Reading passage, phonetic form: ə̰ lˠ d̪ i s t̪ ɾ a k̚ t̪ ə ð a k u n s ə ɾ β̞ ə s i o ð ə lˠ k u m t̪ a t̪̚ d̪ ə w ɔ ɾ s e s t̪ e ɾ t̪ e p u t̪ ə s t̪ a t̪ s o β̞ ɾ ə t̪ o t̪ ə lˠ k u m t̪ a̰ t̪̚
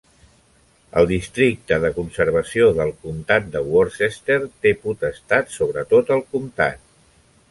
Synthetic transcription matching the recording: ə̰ lˠ d̪ i s t̪ ɾ i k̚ t̪ ə ð ə k u n s ə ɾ β̞ ə s i o ð ə lˠ k u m t̪ a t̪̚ d̪ ə w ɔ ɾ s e s t̪ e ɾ t̪ e p u t̪ ə s t̪ a t̪ s o β̞ ɾ ə t̪ o t̪ ə lˠ k u m t̪ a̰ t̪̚